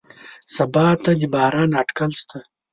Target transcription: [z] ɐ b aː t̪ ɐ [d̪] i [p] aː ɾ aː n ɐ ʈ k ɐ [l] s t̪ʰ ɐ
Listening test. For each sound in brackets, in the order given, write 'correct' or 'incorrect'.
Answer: incorrect: s, correct, incorrect: b, correct

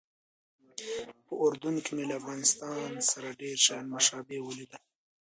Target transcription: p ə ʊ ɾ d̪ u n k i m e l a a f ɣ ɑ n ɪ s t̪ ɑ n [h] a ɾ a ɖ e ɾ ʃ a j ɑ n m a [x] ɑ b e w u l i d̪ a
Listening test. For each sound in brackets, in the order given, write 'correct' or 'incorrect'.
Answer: incorrect: s, incorrect: ʃ

